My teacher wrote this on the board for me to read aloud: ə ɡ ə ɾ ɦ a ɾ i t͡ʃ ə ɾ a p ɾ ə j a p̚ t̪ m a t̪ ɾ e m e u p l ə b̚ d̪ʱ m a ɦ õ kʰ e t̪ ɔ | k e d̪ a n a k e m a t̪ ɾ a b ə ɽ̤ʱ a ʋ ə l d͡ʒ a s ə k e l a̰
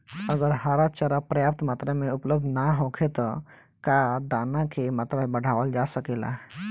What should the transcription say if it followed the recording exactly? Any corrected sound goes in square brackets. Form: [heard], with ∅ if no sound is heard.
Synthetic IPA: ə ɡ ə ɾ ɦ a ɾ [a] t͡ʃ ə ɾ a p ɾ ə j a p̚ t̪ m a t̪ ɾ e m e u p l ə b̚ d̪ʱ [n] a ɦ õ kʰ e t̪ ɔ | k [a] d̪ a n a k e m a t̪ ɾ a b ə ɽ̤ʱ a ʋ ə l d͡ʒ a s ə k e l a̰